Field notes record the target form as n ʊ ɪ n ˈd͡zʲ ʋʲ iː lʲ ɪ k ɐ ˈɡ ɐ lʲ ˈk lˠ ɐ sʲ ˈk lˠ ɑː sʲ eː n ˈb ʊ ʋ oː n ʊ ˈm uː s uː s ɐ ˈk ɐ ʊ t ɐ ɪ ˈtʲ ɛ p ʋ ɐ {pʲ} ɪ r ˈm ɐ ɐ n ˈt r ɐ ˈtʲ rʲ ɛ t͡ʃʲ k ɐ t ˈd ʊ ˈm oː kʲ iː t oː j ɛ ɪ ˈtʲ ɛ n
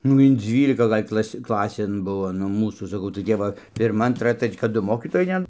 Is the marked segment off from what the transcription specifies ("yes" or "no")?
no